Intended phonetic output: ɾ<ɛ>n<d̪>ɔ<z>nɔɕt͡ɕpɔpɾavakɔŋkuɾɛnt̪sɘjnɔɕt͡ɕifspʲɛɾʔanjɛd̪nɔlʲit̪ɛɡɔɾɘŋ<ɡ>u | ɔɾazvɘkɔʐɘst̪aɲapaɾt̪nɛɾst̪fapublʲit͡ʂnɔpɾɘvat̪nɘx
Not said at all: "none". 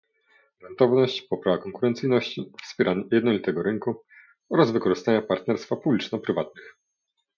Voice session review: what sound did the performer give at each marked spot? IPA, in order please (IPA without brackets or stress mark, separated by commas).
ɛ, t̪, v, k